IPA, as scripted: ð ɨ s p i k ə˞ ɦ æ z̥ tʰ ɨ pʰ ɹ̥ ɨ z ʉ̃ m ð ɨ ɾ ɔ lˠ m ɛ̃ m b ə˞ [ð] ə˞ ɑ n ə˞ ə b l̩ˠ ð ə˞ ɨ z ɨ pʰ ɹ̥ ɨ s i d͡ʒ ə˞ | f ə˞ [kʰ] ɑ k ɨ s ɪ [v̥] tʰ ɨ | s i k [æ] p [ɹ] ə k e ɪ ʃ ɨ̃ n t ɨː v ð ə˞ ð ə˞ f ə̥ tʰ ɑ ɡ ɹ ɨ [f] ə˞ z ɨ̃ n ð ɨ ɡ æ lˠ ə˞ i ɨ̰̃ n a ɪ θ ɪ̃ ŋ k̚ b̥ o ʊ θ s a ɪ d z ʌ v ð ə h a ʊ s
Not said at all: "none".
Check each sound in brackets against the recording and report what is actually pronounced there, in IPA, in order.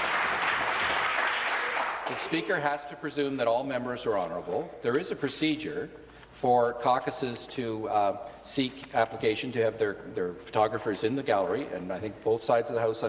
z, kʰ, z̥, æ, l, f

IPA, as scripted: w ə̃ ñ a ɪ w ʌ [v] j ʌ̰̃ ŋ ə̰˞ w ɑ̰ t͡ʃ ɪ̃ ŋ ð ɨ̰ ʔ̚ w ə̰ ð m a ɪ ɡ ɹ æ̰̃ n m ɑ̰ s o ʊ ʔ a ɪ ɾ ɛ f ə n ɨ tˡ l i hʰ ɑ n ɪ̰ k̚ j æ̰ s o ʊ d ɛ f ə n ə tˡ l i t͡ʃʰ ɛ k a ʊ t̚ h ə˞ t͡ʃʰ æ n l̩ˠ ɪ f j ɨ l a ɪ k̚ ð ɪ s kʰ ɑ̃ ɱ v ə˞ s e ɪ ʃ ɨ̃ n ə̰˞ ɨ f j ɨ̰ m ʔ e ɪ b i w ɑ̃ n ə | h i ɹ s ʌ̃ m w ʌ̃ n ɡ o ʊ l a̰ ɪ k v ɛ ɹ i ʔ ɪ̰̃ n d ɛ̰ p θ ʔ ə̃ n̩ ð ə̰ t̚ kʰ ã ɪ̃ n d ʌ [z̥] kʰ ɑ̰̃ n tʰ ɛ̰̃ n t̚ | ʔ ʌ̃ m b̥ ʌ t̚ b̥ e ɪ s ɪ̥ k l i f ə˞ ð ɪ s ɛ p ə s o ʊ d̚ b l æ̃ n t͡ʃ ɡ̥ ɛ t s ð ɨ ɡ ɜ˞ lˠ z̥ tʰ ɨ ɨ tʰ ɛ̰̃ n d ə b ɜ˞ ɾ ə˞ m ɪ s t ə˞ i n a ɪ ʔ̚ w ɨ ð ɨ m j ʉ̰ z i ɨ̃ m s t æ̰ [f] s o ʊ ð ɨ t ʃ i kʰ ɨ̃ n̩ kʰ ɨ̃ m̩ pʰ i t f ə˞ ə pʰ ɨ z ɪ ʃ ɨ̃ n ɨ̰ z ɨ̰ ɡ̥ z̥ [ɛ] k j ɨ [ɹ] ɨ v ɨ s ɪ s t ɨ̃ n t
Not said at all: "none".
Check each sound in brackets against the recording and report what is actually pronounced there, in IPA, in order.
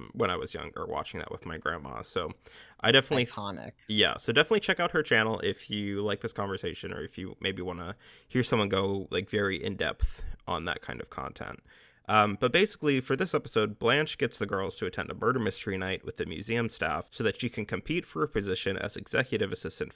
z, v̥, f, ɛ, ɾ

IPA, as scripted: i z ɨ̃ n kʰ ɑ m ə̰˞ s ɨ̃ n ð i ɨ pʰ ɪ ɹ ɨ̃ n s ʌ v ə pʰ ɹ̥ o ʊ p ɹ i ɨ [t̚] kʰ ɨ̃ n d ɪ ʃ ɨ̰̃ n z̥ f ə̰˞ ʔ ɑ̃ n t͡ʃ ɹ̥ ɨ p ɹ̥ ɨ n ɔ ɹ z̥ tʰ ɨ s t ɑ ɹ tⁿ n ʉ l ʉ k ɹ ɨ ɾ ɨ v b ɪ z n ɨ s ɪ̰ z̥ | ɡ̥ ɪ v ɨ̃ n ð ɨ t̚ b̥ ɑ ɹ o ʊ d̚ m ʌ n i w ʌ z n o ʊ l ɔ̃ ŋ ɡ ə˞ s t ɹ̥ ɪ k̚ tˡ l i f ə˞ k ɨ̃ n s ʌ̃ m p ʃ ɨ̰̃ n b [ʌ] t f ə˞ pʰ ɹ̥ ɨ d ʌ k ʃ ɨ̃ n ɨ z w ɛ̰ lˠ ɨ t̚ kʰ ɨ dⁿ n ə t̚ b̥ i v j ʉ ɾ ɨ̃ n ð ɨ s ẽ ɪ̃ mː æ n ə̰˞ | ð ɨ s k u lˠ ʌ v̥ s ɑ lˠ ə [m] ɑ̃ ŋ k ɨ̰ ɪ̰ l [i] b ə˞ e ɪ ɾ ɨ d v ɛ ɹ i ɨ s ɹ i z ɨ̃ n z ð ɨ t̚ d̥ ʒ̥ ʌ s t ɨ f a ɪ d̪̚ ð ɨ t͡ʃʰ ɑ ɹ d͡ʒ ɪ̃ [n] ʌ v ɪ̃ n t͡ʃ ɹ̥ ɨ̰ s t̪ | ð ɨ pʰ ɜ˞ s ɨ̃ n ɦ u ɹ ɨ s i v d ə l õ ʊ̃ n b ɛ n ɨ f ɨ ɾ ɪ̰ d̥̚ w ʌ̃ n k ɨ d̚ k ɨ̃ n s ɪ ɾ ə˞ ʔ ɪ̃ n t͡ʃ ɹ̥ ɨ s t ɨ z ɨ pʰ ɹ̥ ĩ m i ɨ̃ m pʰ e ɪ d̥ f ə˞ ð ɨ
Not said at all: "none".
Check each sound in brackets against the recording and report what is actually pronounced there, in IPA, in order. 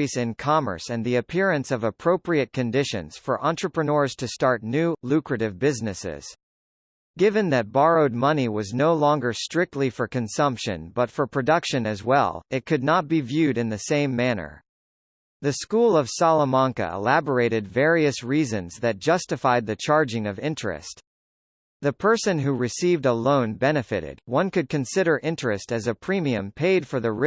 t̚, ʌ, m, æ, ŋ

